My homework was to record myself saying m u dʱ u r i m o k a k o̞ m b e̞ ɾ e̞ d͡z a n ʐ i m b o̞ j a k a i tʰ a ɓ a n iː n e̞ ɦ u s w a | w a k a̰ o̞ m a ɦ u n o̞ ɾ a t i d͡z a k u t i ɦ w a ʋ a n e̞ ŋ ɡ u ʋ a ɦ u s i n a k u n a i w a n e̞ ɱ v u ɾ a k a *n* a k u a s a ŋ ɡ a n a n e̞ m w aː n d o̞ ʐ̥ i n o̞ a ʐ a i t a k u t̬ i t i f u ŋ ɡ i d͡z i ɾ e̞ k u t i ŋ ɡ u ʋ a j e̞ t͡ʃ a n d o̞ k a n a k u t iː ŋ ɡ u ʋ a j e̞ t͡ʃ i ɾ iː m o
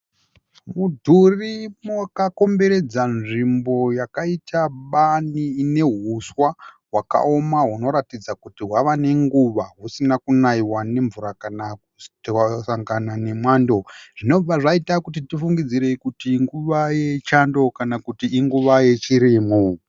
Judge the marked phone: correct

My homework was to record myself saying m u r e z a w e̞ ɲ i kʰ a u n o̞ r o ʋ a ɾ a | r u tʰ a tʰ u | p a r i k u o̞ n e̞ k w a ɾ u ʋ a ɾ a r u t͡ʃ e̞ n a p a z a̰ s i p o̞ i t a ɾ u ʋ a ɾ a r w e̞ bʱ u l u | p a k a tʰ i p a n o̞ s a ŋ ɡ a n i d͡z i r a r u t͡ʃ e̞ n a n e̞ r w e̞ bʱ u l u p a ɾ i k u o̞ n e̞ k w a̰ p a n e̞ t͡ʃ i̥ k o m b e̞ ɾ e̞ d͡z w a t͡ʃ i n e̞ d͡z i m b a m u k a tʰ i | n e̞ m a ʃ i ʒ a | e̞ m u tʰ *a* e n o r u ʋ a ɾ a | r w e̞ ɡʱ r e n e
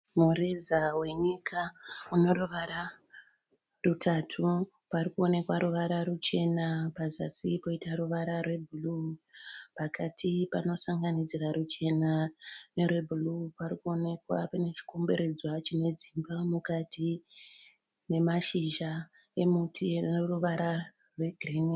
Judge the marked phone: incorrect: i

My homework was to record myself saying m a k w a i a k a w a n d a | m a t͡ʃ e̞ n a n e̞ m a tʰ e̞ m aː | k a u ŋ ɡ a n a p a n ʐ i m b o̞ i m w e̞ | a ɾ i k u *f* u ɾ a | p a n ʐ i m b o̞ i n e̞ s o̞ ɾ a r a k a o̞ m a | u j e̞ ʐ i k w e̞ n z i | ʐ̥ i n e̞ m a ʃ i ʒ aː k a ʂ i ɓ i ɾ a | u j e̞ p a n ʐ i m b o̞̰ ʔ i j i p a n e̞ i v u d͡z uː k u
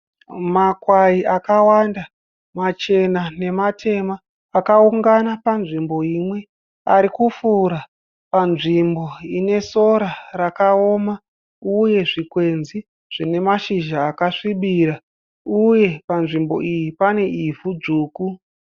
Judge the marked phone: correct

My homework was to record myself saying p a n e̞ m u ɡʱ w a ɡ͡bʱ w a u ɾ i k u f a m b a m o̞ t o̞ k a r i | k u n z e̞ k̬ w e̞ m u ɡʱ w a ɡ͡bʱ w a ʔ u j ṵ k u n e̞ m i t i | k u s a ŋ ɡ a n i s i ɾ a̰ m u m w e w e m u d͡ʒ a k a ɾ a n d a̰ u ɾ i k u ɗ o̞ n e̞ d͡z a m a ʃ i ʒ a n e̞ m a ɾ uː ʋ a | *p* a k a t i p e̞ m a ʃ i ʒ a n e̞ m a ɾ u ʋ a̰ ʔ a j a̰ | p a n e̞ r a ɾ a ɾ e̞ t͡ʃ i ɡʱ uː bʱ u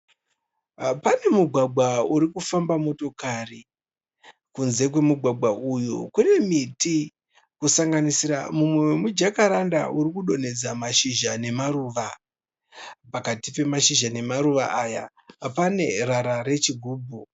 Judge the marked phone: correct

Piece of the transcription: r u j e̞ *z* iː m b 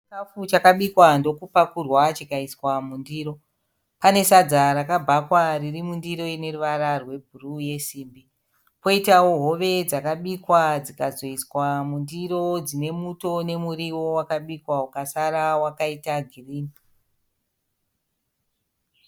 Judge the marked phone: incorrect: s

